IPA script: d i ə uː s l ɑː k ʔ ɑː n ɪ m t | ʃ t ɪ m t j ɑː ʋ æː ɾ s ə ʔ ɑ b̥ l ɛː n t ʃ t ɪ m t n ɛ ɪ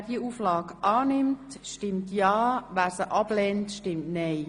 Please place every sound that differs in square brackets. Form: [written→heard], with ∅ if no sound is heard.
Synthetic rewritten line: d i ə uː [s→f] l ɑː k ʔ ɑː n ɪ m t | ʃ t ɪ m t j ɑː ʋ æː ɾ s ə ʔ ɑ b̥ l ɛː n t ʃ t ɪ m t n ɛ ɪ